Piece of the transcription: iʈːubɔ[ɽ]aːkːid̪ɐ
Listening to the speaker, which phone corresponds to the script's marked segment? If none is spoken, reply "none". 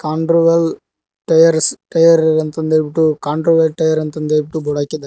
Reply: ɽ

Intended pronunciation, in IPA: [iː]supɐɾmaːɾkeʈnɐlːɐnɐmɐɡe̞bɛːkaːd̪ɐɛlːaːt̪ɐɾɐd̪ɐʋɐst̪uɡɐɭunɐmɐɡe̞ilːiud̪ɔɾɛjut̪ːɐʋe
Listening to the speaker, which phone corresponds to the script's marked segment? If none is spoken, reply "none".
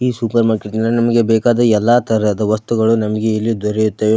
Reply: iː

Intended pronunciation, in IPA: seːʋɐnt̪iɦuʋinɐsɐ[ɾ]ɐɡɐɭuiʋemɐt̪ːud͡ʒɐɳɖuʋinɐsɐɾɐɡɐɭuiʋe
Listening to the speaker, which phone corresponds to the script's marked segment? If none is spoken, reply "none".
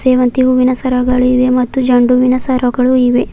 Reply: ɾ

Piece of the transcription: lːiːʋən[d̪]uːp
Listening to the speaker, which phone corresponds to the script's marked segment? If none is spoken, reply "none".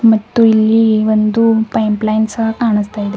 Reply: d̪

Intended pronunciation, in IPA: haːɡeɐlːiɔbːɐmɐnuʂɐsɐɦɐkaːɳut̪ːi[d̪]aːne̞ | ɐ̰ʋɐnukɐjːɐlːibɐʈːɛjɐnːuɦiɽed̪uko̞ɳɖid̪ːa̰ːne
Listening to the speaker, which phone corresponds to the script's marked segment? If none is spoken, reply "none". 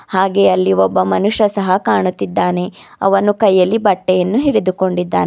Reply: d̪ː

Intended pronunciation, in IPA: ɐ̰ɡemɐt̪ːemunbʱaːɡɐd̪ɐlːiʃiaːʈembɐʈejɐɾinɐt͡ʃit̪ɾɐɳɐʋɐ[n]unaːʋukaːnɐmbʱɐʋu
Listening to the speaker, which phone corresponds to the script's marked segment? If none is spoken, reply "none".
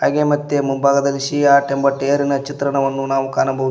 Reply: nː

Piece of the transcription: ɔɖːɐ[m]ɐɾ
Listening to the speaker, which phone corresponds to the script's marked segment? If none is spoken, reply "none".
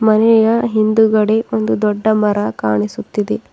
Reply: m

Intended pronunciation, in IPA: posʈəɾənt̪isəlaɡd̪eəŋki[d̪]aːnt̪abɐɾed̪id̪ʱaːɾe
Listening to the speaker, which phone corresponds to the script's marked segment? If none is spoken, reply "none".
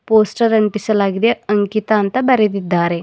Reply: t̪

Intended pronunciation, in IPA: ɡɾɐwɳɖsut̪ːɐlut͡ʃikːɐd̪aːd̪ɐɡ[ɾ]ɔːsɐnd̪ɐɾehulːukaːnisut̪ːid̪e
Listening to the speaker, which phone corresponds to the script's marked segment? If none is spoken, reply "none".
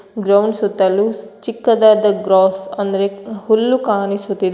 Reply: ɾ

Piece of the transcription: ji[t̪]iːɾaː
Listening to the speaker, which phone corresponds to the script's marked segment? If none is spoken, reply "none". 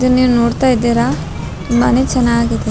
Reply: d̪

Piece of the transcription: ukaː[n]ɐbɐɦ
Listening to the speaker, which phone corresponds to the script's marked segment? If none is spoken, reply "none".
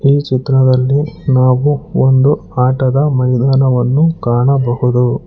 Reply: ɳ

